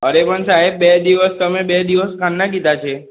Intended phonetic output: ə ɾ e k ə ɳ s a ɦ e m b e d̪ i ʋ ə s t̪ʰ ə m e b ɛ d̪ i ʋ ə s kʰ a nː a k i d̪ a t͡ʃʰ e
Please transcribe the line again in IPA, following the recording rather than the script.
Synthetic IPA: ə ɾ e p ə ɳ s a ɦ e b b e d̪ i ʋ ə s t̪ ə m e b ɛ d̪ i ʋ ə s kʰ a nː a k i d̪ a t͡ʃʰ e